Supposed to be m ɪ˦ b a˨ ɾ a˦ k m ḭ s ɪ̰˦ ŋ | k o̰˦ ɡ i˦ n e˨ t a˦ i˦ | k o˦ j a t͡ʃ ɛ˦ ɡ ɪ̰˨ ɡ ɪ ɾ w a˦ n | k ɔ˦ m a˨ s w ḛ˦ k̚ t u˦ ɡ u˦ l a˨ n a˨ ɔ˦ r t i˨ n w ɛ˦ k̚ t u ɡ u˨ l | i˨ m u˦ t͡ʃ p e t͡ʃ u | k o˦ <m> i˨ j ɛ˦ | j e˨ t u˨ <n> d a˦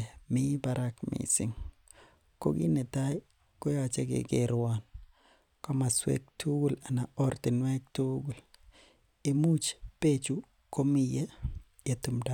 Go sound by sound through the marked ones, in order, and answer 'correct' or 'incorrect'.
correct, incorrect: m

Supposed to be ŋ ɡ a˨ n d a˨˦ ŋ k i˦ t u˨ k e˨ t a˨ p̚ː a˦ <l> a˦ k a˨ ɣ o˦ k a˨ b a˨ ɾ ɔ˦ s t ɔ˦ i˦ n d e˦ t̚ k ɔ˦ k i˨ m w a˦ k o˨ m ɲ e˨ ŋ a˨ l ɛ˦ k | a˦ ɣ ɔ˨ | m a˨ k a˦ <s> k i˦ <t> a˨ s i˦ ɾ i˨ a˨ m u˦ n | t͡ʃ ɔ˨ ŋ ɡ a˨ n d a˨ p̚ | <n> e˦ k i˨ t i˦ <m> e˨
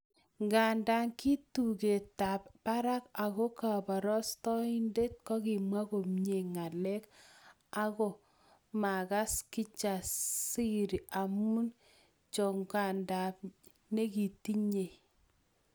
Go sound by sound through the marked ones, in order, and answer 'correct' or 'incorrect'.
incorrect: ɾ, correct, incorrect: t͡ʃ, correct, incorrect: ɲ

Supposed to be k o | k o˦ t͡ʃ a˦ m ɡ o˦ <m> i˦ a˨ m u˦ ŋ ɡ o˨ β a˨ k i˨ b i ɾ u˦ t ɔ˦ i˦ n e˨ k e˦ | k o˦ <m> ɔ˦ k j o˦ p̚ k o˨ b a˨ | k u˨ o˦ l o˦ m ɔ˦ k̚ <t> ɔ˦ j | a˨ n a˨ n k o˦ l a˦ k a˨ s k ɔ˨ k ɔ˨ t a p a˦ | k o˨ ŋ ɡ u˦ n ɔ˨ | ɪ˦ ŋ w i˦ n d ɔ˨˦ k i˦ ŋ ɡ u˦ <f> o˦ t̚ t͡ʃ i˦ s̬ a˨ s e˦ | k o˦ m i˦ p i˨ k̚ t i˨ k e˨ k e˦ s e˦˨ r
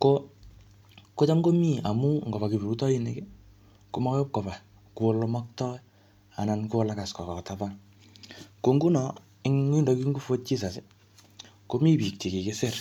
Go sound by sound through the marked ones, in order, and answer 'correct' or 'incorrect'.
correct, correct, correct, correct

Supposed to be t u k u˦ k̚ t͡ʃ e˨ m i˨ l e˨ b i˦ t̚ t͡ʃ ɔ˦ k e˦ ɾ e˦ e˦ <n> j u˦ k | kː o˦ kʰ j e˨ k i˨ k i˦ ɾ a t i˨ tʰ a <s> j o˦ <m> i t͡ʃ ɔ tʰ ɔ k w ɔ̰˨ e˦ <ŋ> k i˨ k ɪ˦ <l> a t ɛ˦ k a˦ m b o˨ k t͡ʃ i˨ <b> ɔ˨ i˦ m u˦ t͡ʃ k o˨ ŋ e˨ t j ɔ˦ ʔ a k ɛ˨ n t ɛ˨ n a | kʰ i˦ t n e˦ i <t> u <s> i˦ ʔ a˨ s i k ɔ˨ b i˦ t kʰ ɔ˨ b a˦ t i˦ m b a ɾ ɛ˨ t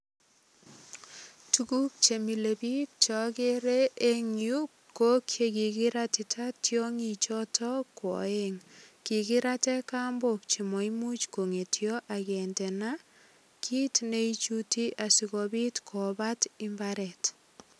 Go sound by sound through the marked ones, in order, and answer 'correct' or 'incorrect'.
incorrect: ŋ, incorrect: t, incorrect: ŋ, correct, incorrect: ɾ, incorrect: m, incorrect: t͡ʃ, incorrect: t

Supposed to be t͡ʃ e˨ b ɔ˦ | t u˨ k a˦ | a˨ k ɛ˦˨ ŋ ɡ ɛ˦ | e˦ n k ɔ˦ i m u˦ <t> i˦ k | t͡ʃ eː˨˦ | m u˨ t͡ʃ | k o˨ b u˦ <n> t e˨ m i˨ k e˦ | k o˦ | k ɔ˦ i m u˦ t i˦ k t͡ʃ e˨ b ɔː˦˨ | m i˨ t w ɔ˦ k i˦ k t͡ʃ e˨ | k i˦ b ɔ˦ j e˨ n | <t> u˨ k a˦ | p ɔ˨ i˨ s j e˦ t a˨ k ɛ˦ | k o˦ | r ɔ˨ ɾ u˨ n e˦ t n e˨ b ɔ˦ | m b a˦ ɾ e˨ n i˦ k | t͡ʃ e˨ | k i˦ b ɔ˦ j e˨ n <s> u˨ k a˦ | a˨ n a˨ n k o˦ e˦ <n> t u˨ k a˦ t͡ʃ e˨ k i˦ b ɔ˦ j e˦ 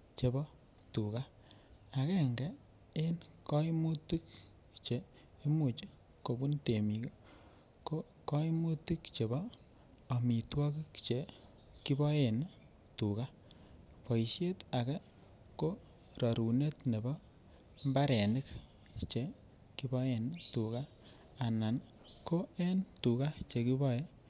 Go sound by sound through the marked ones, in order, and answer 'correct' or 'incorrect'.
correct, correct, correct, incorrect: t, correct

